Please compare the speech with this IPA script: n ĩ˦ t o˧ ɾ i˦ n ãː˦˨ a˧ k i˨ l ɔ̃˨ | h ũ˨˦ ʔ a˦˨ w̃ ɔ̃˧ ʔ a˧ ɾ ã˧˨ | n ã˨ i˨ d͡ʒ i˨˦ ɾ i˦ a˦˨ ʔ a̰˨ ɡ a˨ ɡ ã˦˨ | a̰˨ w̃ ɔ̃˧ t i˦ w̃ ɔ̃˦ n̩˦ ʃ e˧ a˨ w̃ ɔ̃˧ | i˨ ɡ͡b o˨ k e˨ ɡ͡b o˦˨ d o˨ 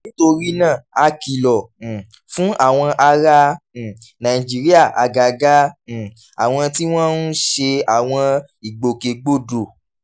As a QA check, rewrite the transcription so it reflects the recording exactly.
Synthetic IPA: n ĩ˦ t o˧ ɾ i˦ n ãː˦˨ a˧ k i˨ l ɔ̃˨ | f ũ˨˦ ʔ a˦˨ w̃ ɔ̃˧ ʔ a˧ ɾ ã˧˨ | n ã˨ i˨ d͡ʒ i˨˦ ɾ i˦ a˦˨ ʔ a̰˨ ɡ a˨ ɡ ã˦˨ | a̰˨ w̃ ɔ̃˧ t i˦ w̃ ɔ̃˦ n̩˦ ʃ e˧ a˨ w̃ ɔ̃˧ | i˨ ɡ͡b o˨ k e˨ ɡ͡b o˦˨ d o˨